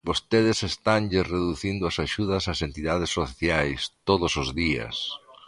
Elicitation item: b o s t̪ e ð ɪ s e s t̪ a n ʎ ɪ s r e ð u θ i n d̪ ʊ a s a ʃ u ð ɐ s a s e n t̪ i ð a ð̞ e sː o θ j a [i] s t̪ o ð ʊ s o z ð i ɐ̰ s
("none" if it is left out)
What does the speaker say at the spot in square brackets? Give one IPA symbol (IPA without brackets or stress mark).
j